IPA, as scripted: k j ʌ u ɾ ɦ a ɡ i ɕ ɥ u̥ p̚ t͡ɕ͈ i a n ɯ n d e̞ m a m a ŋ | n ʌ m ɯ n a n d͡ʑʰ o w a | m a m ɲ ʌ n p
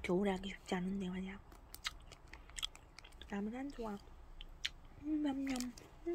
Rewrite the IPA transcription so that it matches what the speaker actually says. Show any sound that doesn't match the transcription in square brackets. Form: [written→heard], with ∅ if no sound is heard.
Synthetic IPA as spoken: k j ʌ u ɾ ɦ a ɡ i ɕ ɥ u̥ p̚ t͡ɕ͈ i a n ɯ n d e̞ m a [m→ɲ] a ŋ | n [ʌ→a] m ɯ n a n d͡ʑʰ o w a | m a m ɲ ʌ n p